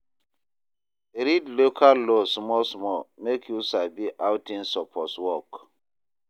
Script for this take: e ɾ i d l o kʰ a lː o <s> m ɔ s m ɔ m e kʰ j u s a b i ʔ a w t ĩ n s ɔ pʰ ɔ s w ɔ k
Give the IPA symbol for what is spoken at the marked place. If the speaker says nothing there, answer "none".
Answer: s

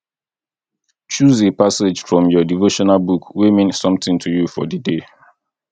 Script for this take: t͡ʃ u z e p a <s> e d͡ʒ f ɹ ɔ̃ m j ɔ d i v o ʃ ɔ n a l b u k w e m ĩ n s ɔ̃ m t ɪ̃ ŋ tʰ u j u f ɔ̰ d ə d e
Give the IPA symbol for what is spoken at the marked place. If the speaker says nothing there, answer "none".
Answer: s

